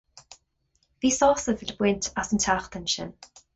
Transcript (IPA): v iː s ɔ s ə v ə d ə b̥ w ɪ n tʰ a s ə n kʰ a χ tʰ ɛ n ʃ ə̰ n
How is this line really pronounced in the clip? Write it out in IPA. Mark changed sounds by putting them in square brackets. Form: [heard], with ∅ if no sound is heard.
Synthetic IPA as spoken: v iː s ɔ s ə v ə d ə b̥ w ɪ n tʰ a s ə n [tʰ] a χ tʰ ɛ n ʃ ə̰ n